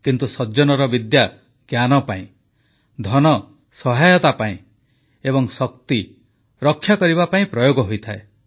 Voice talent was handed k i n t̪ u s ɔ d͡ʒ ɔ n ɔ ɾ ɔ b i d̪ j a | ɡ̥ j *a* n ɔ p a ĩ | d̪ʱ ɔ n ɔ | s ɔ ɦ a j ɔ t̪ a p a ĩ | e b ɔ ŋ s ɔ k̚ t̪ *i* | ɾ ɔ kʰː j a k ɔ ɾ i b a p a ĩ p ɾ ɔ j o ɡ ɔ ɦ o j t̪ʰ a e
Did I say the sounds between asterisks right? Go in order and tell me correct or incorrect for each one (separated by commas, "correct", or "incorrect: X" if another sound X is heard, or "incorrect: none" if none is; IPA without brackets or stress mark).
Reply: correct, correct